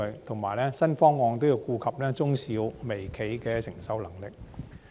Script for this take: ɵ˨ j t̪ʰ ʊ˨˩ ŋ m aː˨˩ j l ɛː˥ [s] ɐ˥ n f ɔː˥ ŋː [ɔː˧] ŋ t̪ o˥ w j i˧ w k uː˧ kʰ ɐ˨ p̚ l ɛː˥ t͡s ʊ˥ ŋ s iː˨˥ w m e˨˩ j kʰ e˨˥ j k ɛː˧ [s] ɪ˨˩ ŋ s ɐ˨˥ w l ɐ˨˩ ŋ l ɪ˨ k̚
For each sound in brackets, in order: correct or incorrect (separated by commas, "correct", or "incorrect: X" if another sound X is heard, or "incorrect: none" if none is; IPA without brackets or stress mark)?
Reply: correct, correct, correct